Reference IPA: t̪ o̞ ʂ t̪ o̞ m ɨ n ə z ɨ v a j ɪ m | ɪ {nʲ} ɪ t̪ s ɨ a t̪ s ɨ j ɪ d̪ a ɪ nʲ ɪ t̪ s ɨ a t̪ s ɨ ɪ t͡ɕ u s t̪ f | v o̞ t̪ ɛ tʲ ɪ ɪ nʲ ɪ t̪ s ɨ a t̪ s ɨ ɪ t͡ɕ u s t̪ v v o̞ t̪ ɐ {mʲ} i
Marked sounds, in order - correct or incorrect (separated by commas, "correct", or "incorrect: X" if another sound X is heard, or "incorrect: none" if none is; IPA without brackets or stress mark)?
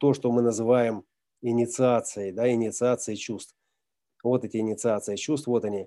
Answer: correct, incorrect: nʲ